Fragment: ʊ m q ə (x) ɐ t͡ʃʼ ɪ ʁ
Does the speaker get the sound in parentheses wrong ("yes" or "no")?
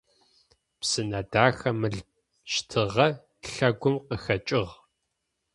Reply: no